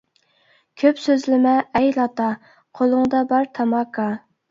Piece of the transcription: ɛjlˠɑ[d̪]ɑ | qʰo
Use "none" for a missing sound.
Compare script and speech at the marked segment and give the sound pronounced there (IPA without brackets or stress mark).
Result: t̪